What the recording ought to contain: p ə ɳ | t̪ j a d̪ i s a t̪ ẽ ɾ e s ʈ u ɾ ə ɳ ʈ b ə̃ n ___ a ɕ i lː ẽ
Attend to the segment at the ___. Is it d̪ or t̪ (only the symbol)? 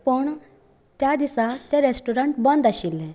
d̪